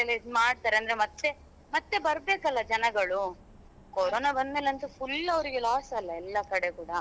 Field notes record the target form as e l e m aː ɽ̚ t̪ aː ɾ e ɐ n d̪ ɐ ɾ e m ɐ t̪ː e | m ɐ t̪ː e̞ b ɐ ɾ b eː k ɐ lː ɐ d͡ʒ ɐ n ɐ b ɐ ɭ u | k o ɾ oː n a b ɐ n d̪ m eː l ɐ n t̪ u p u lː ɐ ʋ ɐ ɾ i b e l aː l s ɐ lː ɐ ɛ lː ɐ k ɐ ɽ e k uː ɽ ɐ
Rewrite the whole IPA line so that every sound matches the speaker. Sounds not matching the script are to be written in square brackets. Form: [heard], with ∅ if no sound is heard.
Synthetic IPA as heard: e l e m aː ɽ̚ t̪ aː ɾ e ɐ n d̪ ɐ ɾ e m ɐ t̪ː e | m ɐ t̪ː e̞ b ɐ ɾ b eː k ɐ lː ɐ d͡ʒ ɐ n ɐ [ɡ] ɐ ɭ u | k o ɾ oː n a b ɐ n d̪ m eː l ɐ n t̪ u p u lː ɐ ʋ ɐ ɾ i [ɡ] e l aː [∅] s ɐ lː ɐ ɛ lː ɐ k ɐ ɽ e k uː ɽ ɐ